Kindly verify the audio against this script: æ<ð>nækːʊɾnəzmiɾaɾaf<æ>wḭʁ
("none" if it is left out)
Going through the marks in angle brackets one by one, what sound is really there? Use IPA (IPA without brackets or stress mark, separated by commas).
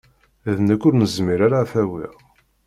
ð, æ